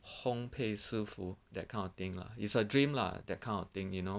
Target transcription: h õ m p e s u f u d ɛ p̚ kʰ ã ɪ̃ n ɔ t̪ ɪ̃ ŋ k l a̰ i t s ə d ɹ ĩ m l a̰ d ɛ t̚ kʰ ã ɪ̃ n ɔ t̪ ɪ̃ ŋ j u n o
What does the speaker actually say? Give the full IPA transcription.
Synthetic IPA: h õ m pʰ e s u f u d ɛ t̚ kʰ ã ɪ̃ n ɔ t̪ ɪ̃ ŋ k l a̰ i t s ə d ɹ ĩ m l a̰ d ɛ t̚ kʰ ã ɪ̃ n ɔ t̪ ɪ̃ ŋ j u n o